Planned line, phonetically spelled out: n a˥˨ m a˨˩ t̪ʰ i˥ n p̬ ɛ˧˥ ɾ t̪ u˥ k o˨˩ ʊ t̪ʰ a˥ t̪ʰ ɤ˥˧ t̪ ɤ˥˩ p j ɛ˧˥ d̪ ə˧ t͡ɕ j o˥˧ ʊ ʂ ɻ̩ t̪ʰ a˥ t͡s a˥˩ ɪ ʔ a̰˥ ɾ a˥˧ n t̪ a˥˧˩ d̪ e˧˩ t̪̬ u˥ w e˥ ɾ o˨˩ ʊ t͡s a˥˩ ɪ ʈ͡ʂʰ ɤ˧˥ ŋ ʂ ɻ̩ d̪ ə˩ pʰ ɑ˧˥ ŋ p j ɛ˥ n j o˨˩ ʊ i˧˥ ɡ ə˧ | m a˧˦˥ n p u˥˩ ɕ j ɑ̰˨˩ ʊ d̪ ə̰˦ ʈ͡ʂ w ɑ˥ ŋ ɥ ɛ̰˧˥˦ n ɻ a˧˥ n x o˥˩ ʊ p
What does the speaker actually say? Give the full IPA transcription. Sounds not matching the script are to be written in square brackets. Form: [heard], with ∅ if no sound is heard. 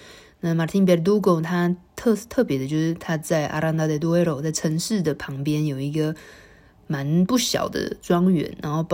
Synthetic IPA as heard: n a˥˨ m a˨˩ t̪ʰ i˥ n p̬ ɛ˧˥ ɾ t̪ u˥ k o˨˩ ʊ t̪ʰ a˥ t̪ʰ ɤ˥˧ [t̪ʰ] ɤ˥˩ p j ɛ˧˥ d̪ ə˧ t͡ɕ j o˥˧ ʊ ʂ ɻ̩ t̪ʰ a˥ t͡s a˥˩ ɪ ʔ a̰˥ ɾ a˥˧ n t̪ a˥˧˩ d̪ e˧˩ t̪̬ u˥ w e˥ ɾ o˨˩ ʊ t͡s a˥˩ ɪ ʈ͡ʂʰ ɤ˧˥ ŋ ʂ ɻ̩ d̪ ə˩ pʰ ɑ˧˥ ŋ p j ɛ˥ n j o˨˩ ʊ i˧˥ ɡ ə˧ | m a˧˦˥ n p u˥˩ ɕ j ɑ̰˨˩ ʊ d̪ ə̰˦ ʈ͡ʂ w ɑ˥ ŋ ɥ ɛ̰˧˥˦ n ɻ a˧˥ n x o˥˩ ʊ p